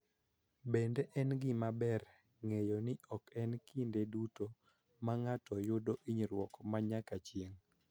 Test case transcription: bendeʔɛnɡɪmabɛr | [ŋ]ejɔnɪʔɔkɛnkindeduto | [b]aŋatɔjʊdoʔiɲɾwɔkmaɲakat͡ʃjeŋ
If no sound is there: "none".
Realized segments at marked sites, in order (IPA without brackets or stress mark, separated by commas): ŋ, m